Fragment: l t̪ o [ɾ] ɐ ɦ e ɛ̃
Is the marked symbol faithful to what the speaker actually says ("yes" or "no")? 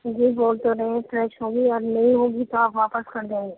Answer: yes